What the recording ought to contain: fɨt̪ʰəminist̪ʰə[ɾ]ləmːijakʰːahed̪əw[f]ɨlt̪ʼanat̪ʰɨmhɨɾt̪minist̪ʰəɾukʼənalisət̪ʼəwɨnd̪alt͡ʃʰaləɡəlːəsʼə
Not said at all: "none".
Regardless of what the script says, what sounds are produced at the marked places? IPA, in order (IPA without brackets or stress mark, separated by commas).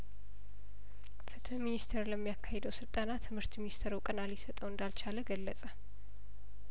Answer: ɾ, s